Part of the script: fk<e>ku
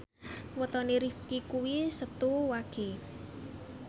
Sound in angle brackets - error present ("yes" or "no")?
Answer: yes